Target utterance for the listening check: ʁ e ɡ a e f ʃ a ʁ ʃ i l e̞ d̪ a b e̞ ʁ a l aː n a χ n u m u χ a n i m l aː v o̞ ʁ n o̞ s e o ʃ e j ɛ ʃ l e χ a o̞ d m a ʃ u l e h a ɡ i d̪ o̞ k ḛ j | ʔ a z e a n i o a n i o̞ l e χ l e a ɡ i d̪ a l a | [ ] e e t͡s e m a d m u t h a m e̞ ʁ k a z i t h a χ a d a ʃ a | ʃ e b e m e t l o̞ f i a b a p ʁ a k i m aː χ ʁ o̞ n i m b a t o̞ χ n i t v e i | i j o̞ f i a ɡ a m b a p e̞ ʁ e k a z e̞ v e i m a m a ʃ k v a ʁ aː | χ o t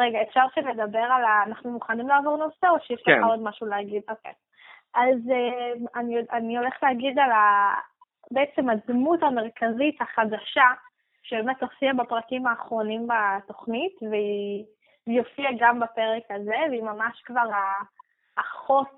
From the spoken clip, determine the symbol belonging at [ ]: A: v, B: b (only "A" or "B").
B